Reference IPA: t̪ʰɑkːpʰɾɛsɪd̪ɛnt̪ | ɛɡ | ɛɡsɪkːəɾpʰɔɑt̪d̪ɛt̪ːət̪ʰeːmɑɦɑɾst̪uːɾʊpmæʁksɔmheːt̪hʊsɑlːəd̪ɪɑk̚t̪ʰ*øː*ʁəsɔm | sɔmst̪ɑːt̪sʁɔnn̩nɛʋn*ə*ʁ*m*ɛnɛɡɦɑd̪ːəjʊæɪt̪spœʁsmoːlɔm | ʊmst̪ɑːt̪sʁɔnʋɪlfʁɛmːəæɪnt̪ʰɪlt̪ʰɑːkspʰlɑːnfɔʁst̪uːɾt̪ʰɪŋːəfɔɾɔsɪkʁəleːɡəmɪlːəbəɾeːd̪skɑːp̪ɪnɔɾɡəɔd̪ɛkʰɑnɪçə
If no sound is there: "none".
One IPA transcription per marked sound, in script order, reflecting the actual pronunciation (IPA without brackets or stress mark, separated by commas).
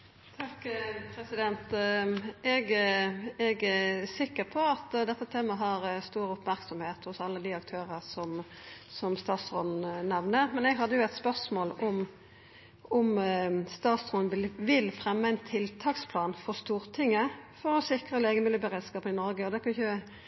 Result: øː, ə, m